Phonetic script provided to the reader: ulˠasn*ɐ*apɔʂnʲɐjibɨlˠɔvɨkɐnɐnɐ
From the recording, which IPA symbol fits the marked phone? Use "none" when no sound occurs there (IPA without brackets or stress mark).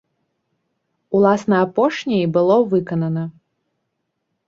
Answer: ɐ